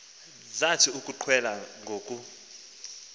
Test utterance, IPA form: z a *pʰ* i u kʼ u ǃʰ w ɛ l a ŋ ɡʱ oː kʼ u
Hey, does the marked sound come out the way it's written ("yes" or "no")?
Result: no